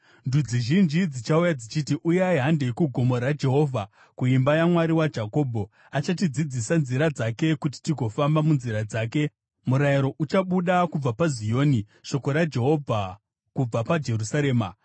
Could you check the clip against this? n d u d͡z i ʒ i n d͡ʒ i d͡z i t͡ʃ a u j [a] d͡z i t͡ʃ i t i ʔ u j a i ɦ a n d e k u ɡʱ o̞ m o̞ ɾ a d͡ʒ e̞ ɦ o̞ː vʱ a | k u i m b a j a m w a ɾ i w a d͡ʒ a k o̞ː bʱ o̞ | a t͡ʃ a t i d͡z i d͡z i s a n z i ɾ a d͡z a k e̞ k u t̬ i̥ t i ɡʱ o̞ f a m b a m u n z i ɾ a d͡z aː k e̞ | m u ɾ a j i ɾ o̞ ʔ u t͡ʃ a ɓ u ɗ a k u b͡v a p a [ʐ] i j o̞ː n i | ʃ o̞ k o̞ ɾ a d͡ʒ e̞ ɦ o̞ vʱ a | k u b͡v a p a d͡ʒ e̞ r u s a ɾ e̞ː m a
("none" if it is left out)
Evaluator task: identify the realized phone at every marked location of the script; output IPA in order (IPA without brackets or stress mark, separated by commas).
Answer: a, z